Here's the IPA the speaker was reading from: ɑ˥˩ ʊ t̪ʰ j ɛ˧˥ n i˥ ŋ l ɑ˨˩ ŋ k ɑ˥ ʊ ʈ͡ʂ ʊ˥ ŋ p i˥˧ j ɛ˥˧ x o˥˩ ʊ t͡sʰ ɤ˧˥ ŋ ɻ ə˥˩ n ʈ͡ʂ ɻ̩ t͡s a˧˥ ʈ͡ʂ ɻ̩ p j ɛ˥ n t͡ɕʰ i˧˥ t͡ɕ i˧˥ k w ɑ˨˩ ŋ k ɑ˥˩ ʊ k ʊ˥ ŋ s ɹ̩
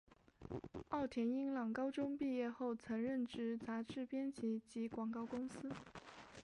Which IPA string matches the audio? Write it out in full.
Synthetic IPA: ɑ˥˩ ʊ t̪ʰ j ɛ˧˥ n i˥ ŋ l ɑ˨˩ ŋ k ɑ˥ ʊ ʈ͡ʂ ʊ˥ ŋ p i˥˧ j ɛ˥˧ x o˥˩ ʊ t͡sʰ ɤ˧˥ ŋ ɻ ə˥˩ n ʈ͡ʂ ɻ̩ t͡s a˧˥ ʈ͡ʂ ɻ̩ p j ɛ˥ n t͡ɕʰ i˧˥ t͡ɕ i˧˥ k w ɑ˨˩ ŋ k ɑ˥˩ ʊ k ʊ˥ ŋ s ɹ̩